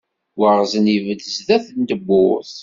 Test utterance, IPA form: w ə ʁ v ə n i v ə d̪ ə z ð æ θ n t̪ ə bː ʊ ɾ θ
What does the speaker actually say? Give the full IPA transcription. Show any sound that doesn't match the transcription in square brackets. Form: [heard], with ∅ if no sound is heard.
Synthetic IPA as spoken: w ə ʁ [z] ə n i v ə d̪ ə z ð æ θ n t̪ ə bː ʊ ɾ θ